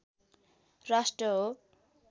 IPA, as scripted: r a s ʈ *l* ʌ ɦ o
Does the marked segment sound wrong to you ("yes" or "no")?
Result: yes